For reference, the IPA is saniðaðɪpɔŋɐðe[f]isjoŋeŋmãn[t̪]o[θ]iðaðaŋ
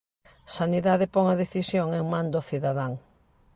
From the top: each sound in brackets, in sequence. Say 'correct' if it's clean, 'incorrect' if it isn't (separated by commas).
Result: incorrect, incorrect, correct